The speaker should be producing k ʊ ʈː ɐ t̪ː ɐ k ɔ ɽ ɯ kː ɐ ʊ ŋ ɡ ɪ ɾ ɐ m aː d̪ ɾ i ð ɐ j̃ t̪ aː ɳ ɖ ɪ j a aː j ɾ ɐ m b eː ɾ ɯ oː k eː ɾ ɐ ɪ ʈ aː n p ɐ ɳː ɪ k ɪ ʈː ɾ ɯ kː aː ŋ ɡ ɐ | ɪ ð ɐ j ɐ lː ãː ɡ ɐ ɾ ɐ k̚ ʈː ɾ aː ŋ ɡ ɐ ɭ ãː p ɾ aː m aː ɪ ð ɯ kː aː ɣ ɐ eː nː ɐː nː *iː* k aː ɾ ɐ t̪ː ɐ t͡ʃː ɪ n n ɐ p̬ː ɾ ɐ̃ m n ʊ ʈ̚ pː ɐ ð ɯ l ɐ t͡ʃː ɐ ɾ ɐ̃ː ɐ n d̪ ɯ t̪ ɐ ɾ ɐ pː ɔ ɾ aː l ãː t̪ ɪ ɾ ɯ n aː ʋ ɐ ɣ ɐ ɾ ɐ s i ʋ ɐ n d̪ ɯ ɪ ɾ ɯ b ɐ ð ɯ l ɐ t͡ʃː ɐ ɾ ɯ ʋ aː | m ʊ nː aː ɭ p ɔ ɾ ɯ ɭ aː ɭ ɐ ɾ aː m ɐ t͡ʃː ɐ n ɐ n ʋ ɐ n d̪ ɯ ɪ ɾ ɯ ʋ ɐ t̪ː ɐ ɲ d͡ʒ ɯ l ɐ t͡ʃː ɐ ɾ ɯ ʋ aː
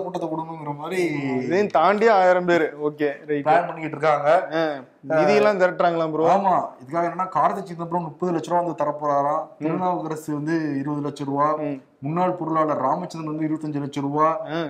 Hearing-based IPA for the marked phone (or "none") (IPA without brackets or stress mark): aː